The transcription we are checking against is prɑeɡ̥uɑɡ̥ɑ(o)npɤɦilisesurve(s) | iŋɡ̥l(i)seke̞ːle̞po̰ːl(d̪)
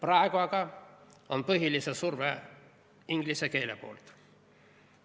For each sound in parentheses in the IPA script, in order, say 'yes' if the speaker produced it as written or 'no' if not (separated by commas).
yes, no, yes, no